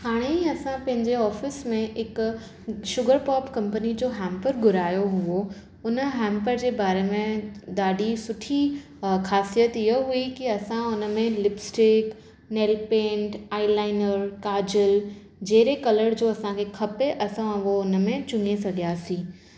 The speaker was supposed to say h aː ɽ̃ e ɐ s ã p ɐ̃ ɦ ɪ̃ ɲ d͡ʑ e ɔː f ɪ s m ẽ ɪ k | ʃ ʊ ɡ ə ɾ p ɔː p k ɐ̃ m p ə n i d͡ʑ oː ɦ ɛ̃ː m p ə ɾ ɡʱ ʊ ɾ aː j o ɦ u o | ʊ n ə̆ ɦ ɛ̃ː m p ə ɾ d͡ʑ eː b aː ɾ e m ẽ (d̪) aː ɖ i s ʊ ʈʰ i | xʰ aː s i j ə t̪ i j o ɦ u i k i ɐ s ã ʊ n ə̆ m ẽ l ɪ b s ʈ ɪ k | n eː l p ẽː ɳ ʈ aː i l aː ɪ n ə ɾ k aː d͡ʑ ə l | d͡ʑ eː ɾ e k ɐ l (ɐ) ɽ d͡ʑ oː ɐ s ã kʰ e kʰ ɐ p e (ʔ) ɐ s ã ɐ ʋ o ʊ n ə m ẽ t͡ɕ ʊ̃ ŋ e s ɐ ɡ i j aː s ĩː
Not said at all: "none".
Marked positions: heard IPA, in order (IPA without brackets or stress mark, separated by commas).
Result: d̪, ə, ʔ